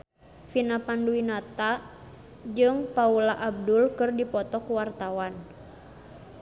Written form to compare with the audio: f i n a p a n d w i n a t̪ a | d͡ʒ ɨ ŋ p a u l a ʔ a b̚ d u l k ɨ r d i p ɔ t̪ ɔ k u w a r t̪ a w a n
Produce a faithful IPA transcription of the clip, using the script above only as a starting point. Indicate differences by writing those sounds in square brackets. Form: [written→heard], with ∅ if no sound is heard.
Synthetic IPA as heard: f i n a p a n d [w→u] i n a t̪ a | d͡ʒ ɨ ŋ p a u l a ʔ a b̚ d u l k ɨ r d i p ɔ t̪ ɔ k u w a r t̪ a w a n